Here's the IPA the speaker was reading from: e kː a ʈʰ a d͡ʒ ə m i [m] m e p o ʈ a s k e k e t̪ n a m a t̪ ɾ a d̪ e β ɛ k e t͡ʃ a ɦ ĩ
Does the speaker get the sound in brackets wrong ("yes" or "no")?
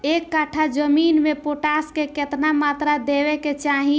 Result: yes